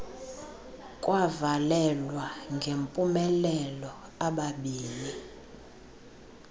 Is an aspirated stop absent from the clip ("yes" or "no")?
yes